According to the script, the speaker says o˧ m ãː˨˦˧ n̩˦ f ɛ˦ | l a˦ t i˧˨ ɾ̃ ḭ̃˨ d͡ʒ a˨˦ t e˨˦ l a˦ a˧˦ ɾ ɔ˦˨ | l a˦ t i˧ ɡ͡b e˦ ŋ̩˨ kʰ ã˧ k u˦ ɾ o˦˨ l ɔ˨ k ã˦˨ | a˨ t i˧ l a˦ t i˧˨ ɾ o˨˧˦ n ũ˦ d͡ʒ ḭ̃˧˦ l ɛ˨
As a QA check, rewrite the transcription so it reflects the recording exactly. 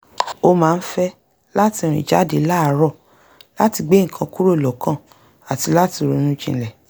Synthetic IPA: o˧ m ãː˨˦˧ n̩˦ f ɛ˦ | l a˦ t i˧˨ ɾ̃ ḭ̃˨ d͡ʒ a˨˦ d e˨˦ l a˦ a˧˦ ɾ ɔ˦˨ | l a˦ t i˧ ɡ͡b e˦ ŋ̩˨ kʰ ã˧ k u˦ ɾ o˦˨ l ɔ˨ k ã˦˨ | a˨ t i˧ l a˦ t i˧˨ ɾ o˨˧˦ n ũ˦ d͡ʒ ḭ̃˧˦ l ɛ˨

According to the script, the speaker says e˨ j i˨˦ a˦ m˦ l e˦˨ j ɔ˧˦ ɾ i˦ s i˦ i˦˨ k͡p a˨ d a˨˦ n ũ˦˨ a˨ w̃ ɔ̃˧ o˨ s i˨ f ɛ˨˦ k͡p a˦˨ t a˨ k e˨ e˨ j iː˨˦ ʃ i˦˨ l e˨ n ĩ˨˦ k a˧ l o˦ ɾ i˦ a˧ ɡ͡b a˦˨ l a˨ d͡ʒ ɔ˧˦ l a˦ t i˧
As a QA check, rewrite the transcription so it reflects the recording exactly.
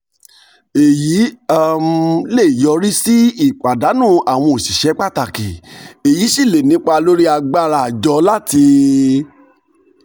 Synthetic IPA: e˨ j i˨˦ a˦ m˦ l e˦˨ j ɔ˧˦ ɾ i˦ s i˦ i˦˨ k͡p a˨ d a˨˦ n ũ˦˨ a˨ w̃ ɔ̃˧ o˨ s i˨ ʃ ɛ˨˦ k͡p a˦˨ t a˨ k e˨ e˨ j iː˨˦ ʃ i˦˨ l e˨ n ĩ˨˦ k͡p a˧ l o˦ ɾ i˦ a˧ ɡ͡b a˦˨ ɾ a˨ d͡ʒ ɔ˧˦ l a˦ t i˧

